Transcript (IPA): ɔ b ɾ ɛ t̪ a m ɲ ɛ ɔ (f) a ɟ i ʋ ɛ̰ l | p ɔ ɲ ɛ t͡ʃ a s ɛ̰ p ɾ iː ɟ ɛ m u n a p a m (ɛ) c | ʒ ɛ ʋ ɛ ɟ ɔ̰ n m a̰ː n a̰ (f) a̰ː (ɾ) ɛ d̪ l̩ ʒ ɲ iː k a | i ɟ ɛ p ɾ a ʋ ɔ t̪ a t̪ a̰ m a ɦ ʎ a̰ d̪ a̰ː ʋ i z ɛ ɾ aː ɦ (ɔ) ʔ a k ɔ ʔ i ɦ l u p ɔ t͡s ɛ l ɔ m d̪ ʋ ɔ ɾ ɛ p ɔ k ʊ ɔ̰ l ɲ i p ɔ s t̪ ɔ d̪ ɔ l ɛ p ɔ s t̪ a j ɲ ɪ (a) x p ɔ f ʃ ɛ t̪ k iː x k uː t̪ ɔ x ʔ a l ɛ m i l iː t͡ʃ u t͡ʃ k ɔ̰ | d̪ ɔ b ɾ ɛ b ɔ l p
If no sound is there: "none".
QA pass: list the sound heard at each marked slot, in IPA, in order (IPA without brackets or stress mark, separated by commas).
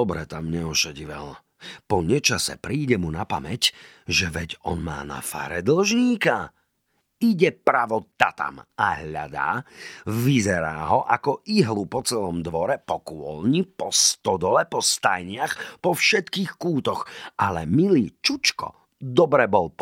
ʃ, ɛ, f, ɾ, ɔ, a